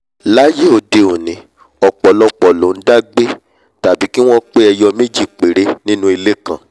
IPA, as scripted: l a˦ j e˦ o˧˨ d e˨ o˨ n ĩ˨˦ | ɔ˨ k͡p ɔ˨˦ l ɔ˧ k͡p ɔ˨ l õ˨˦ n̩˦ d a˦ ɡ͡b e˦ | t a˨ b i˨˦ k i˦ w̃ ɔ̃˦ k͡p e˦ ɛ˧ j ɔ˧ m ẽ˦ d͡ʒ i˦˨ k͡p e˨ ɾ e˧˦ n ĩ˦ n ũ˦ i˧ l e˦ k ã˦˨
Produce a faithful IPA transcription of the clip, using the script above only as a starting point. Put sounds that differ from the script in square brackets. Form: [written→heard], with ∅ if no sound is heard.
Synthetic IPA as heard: l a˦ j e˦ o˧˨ d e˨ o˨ n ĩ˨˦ | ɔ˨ k͡p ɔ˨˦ l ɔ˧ k͡p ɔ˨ l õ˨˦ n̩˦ d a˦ ɡ͡b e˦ | t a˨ b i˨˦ k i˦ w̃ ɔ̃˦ k͡p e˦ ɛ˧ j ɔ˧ m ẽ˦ d͡ʒ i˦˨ k͡p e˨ ɾ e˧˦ n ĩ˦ n ũ˦ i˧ l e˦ k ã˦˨